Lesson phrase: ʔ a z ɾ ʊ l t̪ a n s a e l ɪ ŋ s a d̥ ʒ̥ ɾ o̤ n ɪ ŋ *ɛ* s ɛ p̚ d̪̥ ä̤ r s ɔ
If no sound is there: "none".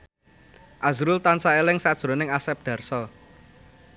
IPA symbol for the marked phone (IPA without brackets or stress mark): a